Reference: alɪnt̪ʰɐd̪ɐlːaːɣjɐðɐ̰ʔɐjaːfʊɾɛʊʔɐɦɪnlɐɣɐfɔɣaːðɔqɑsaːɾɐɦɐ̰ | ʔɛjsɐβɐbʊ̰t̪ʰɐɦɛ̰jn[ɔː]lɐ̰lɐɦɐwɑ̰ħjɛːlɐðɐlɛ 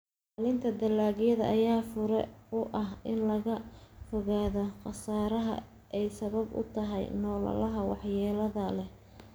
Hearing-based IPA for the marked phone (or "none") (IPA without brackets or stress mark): ɔː